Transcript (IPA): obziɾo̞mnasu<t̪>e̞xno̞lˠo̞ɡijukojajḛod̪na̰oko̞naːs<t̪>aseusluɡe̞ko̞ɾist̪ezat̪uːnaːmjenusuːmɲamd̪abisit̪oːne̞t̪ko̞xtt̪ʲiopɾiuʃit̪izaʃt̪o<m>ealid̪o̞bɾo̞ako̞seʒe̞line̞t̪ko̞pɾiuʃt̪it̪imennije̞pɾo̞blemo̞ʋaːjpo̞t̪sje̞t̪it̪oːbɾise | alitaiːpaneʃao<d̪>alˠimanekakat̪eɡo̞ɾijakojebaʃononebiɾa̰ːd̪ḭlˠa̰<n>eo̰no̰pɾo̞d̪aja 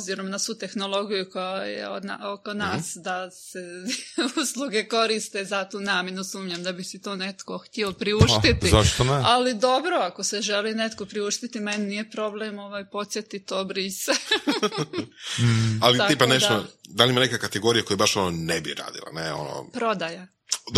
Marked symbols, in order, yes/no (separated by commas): yes, no, no, yes, yes